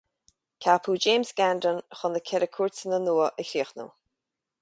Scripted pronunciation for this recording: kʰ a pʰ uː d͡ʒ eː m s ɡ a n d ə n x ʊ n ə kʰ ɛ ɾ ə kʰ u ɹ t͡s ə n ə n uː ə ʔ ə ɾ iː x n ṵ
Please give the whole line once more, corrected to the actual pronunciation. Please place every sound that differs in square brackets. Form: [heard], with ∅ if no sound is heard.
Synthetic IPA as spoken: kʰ a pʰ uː d͡ʒ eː m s ɡ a n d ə n x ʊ n ə kʰ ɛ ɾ ə kʰ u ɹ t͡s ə n ə n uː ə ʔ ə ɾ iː x n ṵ